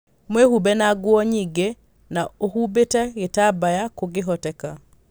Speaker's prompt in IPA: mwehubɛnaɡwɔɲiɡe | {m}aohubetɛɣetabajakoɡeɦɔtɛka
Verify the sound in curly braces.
incorrect: n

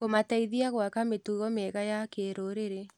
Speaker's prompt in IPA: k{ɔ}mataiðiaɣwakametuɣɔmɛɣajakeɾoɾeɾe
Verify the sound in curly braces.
incorrect: o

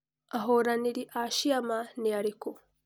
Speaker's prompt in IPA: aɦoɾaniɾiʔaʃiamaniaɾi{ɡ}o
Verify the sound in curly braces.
incorrect: k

